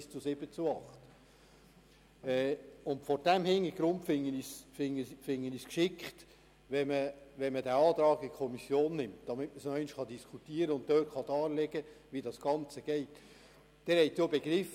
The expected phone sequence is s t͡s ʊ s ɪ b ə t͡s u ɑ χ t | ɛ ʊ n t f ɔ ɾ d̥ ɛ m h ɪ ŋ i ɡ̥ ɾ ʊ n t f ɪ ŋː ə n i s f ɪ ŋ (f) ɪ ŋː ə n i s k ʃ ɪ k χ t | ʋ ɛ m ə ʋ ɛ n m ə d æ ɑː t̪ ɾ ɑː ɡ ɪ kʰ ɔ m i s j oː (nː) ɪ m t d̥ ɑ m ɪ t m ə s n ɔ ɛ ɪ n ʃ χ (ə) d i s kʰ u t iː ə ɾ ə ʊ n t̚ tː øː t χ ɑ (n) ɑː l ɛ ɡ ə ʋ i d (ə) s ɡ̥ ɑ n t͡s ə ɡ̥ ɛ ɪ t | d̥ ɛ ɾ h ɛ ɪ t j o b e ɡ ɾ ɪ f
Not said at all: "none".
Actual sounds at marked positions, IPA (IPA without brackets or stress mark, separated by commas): f, nː, ɑ, d, ɑ